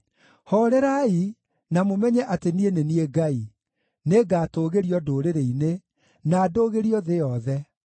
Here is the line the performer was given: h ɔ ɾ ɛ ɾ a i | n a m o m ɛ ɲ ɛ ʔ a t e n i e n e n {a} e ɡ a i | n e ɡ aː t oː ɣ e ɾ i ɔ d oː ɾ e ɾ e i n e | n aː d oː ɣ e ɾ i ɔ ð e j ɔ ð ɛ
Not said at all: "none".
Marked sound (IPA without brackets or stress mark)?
i